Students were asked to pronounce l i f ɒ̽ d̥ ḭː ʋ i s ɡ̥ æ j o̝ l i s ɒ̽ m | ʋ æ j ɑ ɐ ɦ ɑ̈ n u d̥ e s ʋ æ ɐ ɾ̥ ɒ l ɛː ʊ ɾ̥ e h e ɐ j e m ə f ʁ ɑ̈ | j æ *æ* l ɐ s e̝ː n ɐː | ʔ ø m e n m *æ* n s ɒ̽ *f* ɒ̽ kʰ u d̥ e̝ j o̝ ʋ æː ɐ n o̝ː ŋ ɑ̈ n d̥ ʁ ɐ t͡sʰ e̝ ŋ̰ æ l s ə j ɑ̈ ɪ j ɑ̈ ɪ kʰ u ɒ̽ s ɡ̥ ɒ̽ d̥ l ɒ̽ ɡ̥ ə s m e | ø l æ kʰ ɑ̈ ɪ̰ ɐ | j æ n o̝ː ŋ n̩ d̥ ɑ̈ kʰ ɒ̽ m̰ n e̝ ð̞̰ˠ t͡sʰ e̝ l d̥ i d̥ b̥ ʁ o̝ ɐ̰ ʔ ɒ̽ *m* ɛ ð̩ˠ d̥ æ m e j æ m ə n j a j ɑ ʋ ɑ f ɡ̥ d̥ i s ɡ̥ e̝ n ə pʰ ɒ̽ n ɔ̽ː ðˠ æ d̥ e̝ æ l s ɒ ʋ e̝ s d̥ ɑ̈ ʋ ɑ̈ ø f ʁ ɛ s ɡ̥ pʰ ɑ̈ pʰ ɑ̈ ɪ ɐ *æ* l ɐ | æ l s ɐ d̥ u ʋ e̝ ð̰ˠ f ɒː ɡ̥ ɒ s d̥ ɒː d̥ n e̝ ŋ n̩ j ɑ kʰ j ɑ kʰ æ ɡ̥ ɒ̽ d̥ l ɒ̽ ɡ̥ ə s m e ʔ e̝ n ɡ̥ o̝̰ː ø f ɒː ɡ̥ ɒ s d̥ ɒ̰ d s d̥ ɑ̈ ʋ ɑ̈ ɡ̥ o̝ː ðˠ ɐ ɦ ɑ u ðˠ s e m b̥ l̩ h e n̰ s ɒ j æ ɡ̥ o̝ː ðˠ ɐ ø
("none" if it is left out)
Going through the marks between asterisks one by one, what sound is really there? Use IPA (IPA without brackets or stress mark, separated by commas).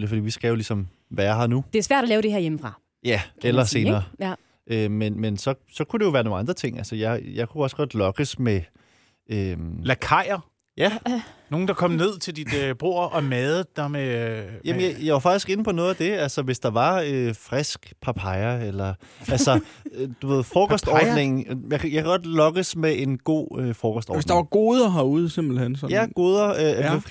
e, e, s, m, e